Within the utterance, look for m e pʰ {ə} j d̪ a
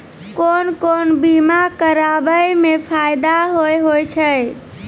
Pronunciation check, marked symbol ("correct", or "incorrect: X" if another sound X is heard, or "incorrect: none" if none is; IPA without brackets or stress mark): incorrect: a